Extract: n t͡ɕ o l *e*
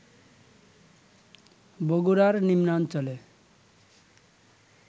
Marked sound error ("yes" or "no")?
no